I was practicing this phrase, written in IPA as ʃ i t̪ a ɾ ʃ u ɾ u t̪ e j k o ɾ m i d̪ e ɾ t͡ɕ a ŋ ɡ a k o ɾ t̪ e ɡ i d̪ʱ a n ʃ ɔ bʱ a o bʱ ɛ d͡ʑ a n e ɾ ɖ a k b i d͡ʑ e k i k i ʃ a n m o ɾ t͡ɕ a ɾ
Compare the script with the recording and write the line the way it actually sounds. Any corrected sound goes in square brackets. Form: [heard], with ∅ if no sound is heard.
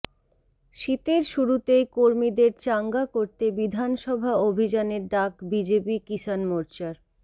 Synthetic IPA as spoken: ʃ i t̪ [e] ɾ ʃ u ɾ u t̪ e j k o ɾ m i d̪ e ɾ t͡ɕ a ŋ ɡ a k o ɾ t̪ e [b] i d̪ʱ a n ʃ ɔ bʱ a o bʱ [i] d͡ʑ a n e ɾ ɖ a k b i d͡ʑ e [p] i k i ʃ a n m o ɾ t͡ɕ a ɾ